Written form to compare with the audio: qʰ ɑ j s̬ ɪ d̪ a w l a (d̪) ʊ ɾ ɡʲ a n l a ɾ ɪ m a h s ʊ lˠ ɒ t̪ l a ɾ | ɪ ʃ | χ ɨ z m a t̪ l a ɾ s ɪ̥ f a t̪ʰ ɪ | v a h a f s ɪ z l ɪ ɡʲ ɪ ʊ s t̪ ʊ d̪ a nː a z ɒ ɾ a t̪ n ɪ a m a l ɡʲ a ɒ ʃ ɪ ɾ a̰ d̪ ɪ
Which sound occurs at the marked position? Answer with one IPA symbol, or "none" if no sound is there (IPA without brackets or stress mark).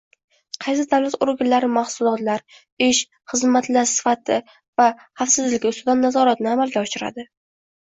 t̪